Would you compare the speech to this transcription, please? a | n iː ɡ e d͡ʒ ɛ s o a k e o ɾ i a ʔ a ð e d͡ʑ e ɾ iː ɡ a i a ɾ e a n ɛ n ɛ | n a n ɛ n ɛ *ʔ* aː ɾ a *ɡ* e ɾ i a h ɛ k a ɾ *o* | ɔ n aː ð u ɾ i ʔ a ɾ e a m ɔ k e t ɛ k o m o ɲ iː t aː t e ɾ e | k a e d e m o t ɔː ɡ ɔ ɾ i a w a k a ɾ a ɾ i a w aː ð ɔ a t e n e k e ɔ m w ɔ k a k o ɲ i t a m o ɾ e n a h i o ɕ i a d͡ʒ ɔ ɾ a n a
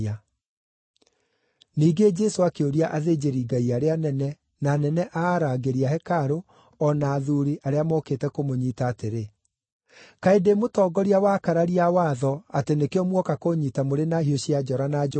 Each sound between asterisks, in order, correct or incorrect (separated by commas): correct, correct, correct